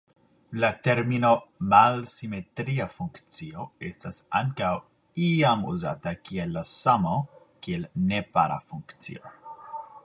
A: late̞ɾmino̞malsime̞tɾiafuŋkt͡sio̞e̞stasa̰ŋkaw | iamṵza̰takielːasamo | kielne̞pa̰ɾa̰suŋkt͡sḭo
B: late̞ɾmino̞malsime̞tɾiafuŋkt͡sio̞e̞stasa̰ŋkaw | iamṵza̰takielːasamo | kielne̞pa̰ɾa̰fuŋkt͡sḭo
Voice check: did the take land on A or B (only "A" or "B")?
B